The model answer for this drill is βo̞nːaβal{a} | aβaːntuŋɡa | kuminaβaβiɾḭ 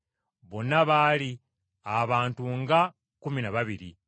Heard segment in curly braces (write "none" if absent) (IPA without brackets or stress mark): i